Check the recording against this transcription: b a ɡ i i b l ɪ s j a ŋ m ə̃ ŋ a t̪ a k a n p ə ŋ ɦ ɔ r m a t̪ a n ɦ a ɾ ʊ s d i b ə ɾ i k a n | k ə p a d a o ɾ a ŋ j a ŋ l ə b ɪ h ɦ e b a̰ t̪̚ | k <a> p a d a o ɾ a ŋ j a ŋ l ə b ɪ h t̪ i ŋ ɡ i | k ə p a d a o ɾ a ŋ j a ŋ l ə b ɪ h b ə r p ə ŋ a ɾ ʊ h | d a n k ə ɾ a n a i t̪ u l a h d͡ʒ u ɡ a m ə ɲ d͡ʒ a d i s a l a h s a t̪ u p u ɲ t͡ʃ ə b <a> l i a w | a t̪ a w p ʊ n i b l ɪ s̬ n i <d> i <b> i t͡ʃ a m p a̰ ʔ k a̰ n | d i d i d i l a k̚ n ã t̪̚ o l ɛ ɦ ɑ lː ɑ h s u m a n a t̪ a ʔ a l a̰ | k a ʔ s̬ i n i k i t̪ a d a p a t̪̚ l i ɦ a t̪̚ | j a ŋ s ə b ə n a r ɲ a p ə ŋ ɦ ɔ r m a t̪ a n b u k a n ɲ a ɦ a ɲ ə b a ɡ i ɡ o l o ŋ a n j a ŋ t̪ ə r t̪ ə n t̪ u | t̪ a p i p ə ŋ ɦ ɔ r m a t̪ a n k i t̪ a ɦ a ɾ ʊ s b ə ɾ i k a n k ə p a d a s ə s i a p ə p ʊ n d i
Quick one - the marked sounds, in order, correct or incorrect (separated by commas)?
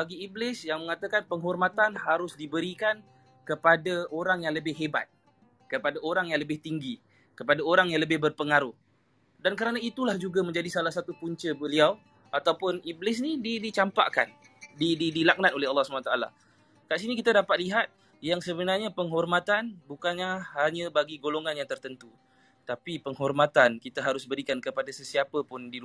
incorrect, incorrect, correct, incorrect